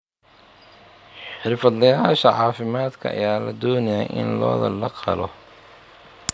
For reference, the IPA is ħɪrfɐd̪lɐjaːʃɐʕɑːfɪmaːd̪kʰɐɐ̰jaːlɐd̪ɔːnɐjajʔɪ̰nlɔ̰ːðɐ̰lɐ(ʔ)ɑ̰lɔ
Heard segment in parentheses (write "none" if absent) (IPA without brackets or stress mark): q